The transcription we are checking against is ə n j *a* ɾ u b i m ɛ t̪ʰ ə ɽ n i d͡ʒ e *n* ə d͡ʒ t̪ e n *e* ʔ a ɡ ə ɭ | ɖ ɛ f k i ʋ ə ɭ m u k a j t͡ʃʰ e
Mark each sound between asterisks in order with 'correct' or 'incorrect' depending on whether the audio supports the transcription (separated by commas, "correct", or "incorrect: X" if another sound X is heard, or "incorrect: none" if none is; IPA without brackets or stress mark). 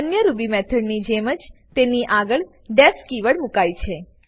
incorrect: ə, incorrect: m, incorrect: i